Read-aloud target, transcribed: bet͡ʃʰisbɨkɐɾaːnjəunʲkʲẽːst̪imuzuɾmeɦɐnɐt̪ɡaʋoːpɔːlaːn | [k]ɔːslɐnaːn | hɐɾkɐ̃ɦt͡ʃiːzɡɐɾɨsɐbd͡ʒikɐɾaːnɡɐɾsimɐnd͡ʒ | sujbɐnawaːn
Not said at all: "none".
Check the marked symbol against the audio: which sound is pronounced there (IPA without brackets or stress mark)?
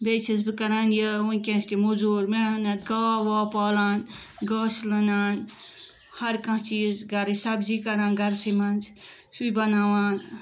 ɡ